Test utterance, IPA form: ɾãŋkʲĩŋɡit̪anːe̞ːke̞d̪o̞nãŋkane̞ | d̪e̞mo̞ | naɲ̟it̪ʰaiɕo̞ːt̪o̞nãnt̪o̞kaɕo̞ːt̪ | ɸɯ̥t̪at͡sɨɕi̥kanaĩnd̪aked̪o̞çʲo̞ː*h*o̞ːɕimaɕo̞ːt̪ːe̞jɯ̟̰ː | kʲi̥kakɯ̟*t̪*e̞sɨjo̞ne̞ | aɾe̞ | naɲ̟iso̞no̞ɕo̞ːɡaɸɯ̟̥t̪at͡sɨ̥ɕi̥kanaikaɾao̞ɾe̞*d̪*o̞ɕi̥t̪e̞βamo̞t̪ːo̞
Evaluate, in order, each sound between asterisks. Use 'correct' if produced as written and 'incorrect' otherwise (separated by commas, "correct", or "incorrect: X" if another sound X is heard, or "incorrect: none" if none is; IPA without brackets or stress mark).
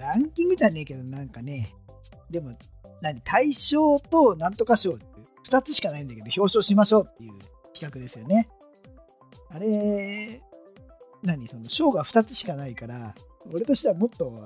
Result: incorrect: ɕ, incorrect: d̪, incorrect: t̪